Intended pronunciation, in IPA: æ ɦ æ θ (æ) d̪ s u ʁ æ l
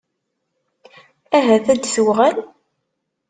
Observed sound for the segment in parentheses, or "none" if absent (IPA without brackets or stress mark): æ